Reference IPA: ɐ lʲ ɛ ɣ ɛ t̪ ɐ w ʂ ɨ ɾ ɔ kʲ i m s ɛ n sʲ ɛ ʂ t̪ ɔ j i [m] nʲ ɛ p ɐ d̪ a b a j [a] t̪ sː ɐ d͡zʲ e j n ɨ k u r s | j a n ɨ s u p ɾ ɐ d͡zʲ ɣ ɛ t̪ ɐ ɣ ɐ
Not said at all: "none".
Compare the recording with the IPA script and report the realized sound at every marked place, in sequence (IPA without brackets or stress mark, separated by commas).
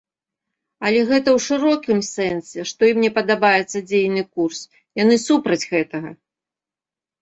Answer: m, ɛ